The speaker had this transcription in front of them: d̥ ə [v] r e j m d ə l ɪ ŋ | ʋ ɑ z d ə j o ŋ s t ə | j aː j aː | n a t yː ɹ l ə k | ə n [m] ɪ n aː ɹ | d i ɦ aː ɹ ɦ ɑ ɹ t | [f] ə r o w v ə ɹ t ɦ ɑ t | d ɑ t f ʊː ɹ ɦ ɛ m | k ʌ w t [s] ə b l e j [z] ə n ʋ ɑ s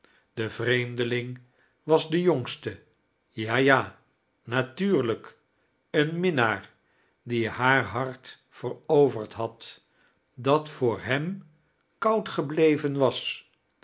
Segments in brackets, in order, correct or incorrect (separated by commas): correct, correct, correct, incorrect, incorrect